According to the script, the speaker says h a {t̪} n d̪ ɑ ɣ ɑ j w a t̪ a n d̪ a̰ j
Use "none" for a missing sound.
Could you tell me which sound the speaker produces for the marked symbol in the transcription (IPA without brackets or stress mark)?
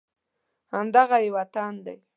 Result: none